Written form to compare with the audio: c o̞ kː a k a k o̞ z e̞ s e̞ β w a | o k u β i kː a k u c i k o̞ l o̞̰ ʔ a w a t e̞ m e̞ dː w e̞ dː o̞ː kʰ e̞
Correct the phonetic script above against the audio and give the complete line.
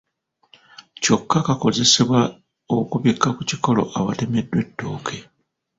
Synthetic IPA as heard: c o̞ kː a k a k o̞ z e̞ s e̞ β w a | o k u β i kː a k u c i k o̞ l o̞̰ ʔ a β a t e̞ m e̞ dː w e̞ tː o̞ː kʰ e̞